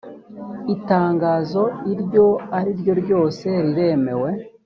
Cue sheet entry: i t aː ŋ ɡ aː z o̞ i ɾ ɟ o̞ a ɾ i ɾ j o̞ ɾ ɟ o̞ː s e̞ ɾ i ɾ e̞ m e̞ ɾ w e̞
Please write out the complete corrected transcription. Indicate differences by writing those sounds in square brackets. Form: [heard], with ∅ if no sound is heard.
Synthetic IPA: i t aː ŋ ɡ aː z o̞ i ɾ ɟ o̞ a ɾ i ɾ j o̞ ɾ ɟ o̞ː s e̞ ɾ i ɾ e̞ m e̞ [∅] w e̞